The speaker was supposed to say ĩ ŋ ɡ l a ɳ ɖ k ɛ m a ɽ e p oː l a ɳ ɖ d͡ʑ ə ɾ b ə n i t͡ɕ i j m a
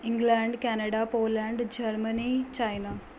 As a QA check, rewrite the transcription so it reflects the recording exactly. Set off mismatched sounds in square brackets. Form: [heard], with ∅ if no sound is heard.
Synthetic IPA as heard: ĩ ŋ ɡ l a ɳ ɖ k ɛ [n] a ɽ [a] p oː l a ɳ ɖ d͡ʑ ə ɾ [m] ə n i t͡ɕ [a] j [n] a